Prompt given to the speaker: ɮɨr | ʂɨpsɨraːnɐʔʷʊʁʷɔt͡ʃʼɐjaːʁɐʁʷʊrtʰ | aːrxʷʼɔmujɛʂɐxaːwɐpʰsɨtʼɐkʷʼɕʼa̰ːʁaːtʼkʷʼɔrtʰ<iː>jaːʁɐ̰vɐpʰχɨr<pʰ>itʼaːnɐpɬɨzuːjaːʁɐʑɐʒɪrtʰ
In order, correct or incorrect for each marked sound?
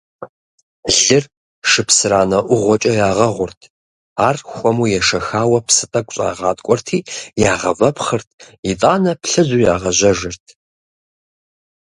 correct, incorrect

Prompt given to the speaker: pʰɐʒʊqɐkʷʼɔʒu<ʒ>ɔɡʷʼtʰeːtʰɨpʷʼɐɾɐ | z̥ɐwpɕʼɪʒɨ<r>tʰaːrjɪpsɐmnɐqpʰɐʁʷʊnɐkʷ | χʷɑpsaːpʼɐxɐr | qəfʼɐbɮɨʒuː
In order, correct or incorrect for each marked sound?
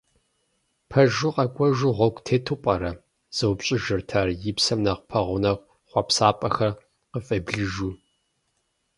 incorrect, correct

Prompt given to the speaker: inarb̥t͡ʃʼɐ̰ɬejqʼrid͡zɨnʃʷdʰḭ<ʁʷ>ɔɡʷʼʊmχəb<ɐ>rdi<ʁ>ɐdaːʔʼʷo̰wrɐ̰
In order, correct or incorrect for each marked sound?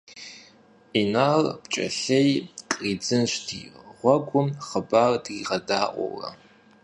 correct, incorrect, correct

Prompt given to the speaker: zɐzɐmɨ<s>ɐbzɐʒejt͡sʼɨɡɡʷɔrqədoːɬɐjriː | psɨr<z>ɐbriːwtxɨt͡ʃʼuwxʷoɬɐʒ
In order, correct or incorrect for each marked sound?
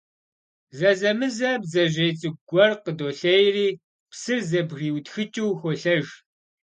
incorrect, correct

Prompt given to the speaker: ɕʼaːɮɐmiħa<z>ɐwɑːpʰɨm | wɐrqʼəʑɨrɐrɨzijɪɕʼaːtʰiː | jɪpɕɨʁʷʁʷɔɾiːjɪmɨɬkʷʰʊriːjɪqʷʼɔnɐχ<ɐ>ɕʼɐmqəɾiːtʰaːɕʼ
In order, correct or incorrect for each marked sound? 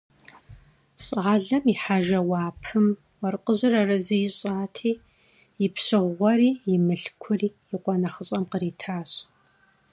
incorrect, incorrect

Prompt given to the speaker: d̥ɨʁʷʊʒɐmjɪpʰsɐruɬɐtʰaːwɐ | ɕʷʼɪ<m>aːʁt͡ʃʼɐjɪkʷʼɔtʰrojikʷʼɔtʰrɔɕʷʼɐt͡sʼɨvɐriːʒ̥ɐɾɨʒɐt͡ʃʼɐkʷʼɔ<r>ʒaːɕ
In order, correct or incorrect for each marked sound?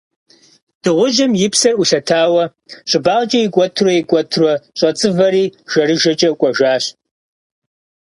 incorrect, incorrect

